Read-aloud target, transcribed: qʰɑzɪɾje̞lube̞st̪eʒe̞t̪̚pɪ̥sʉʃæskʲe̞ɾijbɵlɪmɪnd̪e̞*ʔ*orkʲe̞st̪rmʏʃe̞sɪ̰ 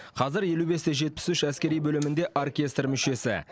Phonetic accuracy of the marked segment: correct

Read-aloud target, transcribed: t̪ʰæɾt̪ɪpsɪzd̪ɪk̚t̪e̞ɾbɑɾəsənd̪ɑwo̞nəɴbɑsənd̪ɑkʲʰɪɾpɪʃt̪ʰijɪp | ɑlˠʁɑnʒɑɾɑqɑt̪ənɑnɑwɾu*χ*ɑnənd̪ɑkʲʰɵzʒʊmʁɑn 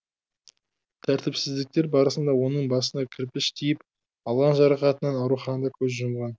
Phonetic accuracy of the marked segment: correct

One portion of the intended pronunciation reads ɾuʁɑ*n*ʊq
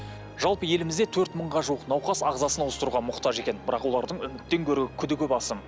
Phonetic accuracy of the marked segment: incorrect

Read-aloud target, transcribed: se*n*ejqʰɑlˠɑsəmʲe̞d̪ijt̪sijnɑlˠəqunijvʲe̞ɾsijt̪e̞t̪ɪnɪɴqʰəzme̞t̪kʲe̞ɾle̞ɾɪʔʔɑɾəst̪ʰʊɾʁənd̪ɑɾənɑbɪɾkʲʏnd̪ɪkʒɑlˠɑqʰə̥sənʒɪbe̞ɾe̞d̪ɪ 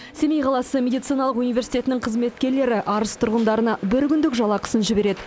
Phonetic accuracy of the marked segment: incorrect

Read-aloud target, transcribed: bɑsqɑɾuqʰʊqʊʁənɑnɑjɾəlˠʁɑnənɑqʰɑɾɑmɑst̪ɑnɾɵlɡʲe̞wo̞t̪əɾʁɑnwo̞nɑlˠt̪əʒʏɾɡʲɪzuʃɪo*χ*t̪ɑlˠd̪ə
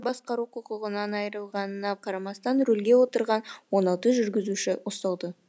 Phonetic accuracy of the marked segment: incorrect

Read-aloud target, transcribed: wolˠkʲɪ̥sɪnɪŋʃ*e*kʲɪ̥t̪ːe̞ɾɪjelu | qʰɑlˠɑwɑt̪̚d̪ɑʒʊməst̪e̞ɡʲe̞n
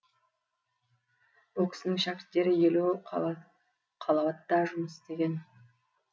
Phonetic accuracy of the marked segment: incorrect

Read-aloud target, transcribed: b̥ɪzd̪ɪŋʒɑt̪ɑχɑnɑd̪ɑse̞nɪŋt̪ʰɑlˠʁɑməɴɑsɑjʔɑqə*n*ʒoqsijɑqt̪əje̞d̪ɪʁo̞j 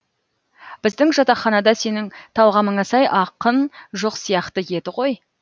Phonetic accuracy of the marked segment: correct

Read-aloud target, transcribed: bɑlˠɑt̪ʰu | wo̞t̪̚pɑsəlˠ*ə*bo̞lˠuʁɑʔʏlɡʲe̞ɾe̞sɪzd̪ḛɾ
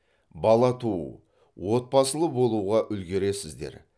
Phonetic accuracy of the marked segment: correct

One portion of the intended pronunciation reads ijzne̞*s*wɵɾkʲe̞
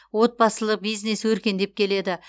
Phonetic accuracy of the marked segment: correct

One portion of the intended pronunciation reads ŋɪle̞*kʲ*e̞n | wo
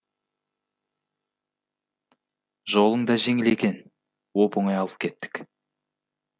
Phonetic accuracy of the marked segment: correct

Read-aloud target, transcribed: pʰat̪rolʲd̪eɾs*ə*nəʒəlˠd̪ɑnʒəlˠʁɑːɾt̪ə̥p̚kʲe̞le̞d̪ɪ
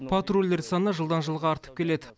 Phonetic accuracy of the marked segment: incorrect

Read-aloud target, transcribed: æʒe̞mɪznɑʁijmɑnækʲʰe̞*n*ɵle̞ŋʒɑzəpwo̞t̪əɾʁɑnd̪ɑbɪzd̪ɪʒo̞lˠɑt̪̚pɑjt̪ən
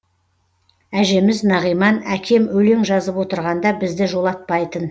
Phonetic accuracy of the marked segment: incorrect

